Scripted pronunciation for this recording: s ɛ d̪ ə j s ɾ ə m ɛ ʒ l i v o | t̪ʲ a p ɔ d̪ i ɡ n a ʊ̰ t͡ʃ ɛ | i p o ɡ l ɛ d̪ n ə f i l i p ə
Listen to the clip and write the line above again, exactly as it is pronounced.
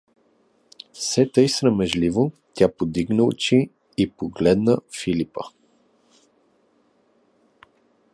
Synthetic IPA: s ɛ t̪ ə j s ɾ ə m ɛ ʒ l i v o | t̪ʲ a p o d̪ i ɡ n ə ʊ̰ t͡ʃ i | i p o ɡ l ɛ d̪ n ə f i l i p ə